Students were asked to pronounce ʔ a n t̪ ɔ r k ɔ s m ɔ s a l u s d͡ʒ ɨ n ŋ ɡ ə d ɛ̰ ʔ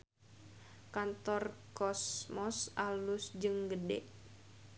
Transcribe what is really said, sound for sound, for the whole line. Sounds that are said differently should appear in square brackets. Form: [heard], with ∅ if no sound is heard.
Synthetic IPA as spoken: [k] a n t̪ ɔ r k ɔ s m ɔ s a l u s d͡ʒ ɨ [∅] ŋ ɡ ə d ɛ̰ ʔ